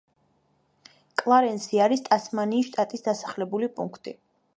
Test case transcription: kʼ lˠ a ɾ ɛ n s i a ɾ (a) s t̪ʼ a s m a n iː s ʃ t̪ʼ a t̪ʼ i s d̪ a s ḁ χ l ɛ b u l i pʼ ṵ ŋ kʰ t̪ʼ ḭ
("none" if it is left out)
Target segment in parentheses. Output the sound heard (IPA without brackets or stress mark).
i